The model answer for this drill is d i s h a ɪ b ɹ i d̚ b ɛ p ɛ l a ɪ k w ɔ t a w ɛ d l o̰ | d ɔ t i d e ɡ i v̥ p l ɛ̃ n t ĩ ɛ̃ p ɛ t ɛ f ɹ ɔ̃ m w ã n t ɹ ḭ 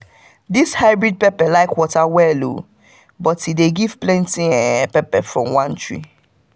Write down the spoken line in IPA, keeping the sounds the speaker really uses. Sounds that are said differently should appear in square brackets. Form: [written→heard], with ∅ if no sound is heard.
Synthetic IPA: d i s h a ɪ b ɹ i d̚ [b→p] ɛ p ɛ l a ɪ k w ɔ t a w ɛ [d→∅] l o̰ | [d→b] ɔ t i d e ɡ i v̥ p l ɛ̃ n t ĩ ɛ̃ p ɛ [t→p] ɛ f ɹ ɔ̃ m w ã n t ɹ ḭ